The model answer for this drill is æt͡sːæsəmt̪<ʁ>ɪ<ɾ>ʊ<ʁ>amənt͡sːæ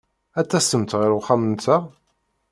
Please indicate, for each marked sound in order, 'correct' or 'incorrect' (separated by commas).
correct, correct, incorrect